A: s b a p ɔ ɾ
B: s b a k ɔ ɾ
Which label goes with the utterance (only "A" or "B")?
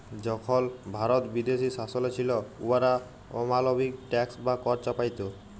B